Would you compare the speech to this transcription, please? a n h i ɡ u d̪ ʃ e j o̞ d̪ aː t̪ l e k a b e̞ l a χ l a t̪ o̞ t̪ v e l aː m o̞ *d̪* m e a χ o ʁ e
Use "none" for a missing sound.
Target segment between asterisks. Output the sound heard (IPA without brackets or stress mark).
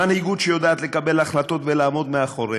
d̪